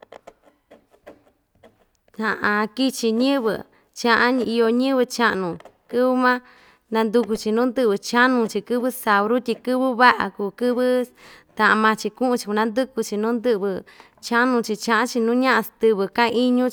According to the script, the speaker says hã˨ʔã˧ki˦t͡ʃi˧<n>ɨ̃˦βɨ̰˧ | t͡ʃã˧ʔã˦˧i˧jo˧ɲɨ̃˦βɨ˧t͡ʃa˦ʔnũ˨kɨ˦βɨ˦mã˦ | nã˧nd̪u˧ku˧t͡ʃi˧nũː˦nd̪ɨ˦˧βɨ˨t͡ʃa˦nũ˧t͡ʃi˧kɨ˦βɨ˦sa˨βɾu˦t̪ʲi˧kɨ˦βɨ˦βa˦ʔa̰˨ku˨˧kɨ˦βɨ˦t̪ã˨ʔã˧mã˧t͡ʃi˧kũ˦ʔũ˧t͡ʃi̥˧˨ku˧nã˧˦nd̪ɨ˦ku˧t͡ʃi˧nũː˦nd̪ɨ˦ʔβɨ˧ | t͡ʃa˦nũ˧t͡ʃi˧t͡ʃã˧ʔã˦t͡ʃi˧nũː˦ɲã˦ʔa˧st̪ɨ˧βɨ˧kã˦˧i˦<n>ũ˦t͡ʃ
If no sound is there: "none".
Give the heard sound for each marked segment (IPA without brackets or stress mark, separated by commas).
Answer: ɲ, ɲ